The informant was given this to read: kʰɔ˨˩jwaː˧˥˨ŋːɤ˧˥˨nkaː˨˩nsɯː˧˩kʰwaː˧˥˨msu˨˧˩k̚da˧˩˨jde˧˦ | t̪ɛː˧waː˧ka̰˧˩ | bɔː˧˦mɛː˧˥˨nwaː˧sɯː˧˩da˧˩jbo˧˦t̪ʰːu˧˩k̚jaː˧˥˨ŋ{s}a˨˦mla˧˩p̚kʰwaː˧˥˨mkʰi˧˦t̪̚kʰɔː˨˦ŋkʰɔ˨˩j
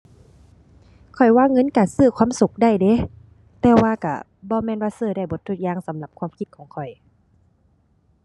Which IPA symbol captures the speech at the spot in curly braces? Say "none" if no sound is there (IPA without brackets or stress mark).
s